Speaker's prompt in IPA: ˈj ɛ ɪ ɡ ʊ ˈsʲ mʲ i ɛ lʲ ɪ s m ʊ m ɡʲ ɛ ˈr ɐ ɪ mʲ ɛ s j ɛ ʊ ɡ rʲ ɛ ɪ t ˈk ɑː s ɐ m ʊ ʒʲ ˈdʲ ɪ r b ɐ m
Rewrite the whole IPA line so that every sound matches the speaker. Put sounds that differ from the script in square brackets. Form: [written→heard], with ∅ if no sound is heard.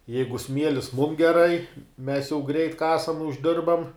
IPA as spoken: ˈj ɛ ɪ ɡ ʊ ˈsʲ mʲ i ɛ lʲ ɪ s m ʊ m ɡʲ ɛ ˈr ɐ ɪ mʲ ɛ s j ɛ ʊ ɡ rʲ ɛ ɪ t ˈk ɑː s ɐ m ʊ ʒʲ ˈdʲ ɪ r b ɐ m